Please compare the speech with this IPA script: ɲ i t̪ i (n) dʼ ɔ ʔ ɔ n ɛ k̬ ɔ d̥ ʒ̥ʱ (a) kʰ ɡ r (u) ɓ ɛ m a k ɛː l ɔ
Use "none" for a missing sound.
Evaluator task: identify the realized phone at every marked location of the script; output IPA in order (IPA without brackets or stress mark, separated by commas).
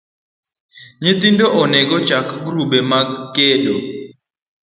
n, a, u